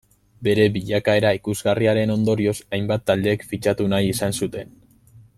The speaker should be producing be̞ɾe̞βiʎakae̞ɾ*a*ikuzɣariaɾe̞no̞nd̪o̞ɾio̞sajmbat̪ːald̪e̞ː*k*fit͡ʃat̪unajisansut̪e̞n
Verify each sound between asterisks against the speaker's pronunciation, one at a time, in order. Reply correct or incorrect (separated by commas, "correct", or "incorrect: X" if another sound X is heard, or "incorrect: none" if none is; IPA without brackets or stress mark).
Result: correct, correct